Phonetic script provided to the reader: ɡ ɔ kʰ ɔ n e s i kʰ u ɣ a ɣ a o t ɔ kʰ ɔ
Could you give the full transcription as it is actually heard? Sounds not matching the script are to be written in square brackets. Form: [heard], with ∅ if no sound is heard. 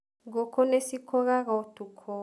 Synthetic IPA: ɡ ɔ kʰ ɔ n e s i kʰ [ɔ] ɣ a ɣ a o t [u] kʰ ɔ